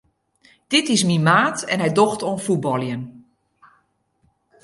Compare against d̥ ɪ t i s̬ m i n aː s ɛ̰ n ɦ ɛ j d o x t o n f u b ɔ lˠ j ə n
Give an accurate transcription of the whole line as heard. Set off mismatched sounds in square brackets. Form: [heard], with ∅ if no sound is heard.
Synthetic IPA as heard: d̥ ɪ t [ɪ] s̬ m i [m] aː [t] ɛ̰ n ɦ ɛ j d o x t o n f u b ɔ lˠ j ə n

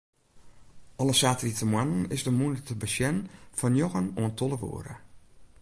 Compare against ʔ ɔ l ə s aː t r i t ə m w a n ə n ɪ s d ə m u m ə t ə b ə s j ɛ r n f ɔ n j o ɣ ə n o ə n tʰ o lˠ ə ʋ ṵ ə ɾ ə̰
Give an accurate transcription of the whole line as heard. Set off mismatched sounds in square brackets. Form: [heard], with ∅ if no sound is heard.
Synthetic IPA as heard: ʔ ɔ l ə s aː t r i t ə m w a n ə n ɪ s d ə m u [n] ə t ə b ə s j ɛ [∅] n f ɔ n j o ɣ ə n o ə n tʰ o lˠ ə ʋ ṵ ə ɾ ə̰

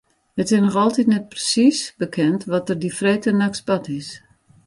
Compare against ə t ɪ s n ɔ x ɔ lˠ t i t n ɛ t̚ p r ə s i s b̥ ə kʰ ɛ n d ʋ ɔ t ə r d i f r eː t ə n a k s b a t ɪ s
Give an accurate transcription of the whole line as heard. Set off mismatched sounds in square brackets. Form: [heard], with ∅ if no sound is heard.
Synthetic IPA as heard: ə t ɪ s n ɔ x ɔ lˠ t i t n ɛ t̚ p r ə s i s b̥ ə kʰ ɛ n [t] ʋ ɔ t ə r d i f r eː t ə n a k s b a t ɪ s

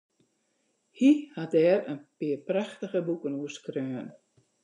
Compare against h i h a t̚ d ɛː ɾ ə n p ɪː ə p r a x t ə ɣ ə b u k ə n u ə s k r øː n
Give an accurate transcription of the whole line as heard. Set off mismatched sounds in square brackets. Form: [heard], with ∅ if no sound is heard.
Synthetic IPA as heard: h i h a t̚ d ɛː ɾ ə n p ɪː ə p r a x t ə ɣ ə b u k ə n u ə s k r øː n

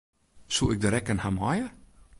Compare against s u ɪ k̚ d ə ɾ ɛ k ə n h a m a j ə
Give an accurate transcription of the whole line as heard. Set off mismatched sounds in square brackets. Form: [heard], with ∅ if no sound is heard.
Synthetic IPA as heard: s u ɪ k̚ d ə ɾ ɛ k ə n h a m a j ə

